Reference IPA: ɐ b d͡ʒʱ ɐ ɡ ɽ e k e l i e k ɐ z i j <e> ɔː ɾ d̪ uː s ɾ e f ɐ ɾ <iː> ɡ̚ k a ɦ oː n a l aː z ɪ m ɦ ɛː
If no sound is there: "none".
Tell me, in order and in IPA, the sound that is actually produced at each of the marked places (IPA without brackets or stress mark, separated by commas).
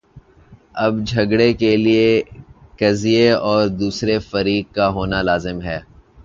e, iː